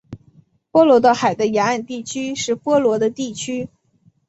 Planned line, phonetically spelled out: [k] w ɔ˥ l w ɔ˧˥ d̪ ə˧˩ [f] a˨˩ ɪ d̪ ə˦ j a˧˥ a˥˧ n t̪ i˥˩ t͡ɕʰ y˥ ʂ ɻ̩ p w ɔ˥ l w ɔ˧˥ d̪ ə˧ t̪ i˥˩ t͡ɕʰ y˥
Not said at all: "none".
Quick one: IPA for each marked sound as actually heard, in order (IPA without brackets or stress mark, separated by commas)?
p, x